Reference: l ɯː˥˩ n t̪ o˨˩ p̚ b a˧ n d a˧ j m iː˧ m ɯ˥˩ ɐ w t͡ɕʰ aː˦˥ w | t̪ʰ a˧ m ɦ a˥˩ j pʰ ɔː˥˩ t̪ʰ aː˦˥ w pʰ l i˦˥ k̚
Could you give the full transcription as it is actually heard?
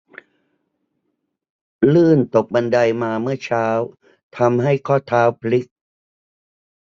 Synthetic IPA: l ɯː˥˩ n t̪ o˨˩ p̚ b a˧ n d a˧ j m aː˧ m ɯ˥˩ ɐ t͡ɕʰ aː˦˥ w | t̪ʰ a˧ m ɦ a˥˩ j kʰ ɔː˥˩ t̪ʰ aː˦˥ w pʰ l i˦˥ k̚